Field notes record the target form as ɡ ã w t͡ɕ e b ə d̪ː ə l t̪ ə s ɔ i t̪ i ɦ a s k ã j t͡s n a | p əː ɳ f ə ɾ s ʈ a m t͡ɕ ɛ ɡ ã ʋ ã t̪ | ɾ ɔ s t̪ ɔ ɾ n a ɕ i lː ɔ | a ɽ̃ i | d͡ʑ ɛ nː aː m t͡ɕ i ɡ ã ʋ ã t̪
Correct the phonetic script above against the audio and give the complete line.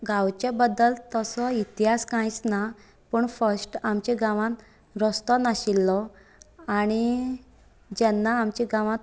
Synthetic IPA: ɡ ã w t͡ɕ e b ə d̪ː ə l t̪ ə s ɔ i t̪ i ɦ a s k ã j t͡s n a | p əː ɳ f ə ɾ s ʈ a m t͡ɕ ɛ ɡ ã ʋ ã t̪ | ɾ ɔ s t̪ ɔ n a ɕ i lː ɔ | a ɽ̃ i | d͡ʑ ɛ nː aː m t͡ɕ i ɡ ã ʋ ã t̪

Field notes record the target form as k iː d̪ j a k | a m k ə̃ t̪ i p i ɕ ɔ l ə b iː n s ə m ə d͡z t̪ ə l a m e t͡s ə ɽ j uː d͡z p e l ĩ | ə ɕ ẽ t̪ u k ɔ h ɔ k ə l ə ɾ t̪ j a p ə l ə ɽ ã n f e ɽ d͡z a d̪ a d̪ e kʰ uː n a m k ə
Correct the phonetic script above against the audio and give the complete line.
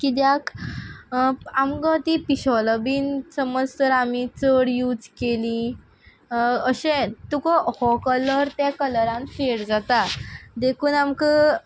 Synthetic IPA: k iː d̪ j a k | a m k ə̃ t̪ i p i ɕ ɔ l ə b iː n s ə m ə d͡z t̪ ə ɾ a m i t͡s ə ɽ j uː d͡z k e l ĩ | ə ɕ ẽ t̪ u k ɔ h ɔ k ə l ə ɾ t̪ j a k ə l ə ɾ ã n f e ɽ d͡z a t̪ a d̪ e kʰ uː n a m k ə

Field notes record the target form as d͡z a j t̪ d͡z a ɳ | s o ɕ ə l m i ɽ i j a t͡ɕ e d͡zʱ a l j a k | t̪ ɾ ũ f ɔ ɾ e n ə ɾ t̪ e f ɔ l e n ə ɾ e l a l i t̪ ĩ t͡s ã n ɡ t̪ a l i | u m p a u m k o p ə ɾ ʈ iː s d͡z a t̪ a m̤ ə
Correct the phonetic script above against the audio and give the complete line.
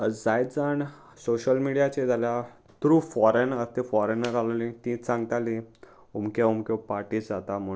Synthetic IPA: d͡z a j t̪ d͡z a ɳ | s o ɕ ə l m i ɽ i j a t͡ɕ e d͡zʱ a l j a | t̪ ɾ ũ f ɔ ɾ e n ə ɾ t̪ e f ɔ ɾ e n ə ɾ a l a l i t̪ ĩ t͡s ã ŋ ɡ t̪ a l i | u m k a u m k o p a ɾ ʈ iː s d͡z a t̪ a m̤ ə

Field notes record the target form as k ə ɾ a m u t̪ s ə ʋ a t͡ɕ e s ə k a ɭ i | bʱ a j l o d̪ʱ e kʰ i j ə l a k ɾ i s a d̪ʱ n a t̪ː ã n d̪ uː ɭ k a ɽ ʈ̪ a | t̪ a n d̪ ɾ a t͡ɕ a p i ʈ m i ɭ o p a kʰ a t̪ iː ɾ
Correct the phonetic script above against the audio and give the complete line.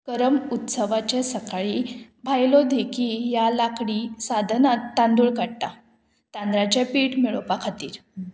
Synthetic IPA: k ə ɾ ə m u t̪ s ə ʋ a t͡ɕ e s ə k a ɭ i | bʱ a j l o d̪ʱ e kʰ i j a l a k ɽ i s a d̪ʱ n a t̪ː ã n d̪ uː ɭ k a ɽ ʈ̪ a | t̪ a n d̪ ɾ a t͡ɕ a p i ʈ m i ɭ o p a kʰ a t̪ iː ɾ

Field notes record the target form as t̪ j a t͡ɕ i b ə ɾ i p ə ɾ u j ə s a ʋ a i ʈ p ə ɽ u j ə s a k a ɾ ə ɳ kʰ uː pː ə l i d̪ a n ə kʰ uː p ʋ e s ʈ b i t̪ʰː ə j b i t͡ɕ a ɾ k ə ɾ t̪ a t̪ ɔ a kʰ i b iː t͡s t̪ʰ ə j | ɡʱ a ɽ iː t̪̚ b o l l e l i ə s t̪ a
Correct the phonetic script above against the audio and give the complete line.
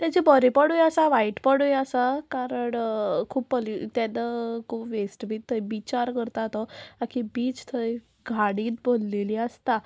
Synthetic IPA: t̪ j a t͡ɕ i b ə ɾ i p ə ɽ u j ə s a ʋ a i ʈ p ə ɽ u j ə s a k a ɾ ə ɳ kʰ uː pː ə l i t̪ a n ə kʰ uː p ʋ e s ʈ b i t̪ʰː ə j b i t͡ɕ a ɾ k ə ɾ t̪ a t̪ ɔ a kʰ i b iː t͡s t̪ʰ ə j | ɡʱ a ɽ iː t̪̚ b o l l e l i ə s t̪ a

